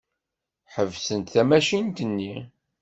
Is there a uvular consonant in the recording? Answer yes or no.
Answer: no